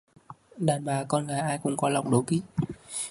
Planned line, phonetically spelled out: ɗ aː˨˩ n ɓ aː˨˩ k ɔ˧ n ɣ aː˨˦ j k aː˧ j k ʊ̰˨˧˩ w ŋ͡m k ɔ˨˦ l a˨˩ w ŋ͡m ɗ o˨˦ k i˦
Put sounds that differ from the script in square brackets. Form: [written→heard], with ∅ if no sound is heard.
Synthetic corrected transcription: ɗ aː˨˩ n ɓ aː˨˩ k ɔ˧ n ɣ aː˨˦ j [k→ʔ] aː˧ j k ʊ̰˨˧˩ [w→∅] ŋ͡m k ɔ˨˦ l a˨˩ w ŋ͡m ɗ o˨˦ k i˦